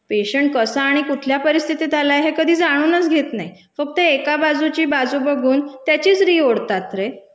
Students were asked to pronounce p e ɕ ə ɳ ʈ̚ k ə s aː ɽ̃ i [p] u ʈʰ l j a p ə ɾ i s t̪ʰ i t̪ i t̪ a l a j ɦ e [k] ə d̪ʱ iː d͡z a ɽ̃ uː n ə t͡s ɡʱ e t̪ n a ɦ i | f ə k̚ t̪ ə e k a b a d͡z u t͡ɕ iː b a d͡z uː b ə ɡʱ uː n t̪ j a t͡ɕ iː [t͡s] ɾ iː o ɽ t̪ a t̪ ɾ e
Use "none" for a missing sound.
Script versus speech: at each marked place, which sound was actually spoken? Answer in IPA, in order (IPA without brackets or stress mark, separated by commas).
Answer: k, k, t͡s